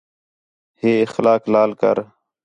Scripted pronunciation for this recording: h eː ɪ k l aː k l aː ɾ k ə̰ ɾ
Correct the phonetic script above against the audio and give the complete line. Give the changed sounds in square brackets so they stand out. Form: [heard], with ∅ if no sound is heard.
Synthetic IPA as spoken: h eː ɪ [x] l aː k l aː [l] k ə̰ ɾ